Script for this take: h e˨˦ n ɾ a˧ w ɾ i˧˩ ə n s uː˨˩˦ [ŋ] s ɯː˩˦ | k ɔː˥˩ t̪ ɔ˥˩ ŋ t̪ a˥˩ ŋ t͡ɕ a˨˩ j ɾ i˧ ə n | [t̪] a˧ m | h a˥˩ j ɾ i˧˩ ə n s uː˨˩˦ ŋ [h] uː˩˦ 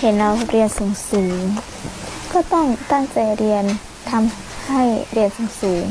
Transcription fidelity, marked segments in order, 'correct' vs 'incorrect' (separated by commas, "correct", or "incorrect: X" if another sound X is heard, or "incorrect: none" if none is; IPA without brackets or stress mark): correct, incorrect: t̪ʰ, incorrect: s